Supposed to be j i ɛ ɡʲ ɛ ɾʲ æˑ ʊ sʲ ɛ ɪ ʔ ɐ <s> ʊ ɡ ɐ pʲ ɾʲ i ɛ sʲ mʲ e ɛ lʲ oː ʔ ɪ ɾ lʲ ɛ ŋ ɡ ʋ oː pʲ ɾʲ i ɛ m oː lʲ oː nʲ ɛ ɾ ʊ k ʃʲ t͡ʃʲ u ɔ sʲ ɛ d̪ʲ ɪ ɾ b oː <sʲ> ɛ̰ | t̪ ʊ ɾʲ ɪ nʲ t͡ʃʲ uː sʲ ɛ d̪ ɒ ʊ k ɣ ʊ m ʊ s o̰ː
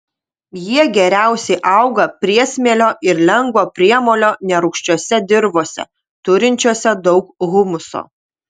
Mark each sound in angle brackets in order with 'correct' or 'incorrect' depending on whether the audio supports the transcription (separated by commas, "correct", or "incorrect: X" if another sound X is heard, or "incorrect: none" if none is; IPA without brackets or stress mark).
incorrect: none, correct